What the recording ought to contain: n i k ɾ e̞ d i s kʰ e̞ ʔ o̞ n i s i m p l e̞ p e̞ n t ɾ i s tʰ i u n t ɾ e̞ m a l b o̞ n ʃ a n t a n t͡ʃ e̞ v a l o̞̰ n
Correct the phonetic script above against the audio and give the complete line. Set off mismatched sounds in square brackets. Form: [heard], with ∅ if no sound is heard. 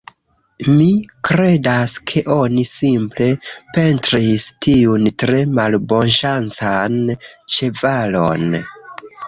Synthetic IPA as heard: [m] i k ɾ e̞ d [a] s kʰ e̞ ʔ o̞ n i s i m p l e̞ p e̞ n t ɾ i s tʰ i u n t ɾ e̞ m a l b o̞ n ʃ a n [t͡s] a n t͡ʃ e̞ v a l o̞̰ n